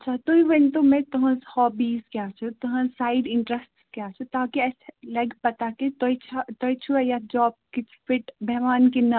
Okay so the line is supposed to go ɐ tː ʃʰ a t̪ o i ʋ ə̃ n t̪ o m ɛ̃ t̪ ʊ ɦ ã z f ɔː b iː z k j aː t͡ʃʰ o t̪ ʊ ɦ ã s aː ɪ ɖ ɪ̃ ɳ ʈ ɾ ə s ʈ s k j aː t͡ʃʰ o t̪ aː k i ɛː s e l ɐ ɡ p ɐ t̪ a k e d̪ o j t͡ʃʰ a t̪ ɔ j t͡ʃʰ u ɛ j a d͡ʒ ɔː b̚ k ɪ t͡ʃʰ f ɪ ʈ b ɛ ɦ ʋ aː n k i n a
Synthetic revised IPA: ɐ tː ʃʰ a t̪ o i ʋ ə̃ n t̪ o m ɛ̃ t̪ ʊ ɦ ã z h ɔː b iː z k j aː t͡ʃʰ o t̪ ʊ ɦ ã s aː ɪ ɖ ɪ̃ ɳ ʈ ɾ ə s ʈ s k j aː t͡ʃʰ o t̪ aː k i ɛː s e l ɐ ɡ p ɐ t̪ a k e t̪ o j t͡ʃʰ a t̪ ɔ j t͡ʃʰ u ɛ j a d͡ʒ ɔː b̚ k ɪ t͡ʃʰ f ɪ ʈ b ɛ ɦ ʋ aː n k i n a